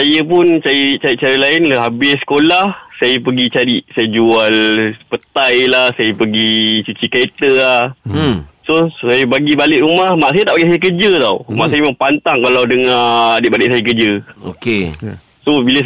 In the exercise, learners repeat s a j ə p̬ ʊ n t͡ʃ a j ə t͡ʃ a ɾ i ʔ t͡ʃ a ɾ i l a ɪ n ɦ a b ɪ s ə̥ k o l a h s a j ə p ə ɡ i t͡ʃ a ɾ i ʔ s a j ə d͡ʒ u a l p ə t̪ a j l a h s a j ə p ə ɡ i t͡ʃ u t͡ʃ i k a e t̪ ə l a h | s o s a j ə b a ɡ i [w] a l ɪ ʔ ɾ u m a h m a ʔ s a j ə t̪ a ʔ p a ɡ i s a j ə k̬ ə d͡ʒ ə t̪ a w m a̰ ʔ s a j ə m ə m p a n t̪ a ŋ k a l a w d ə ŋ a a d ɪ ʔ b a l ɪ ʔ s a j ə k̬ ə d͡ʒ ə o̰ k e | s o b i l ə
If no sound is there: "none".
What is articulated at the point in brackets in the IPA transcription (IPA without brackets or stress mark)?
b